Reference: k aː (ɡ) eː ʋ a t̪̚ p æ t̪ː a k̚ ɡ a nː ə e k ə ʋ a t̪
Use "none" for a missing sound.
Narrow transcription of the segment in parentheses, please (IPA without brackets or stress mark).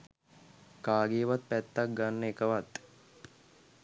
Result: ɡ